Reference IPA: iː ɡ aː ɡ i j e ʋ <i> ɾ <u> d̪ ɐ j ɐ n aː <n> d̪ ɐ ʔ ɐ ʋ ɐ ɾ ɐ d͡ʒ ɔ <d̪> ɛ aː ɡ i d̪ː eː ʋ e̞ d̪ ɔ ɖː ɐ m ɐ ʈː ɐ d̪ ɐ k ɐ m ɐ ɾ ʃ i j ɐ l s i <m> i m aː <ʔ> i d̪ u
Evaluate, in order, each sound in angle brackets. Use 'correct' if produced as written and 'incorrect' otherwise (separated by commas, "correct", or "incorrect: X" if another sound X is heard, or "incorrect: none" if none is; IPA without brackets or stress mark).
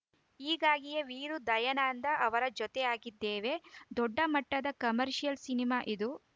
incorrect: iː, correct, correct, incorrect: t̪, incorrect: n, correct